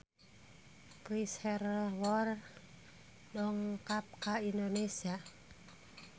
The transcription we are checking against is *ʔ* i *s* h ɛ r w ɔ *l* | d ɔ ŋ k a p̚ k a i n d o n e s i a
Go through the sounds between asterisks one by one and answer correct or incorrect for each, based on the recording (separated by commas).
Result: incorrect, correct, incorrect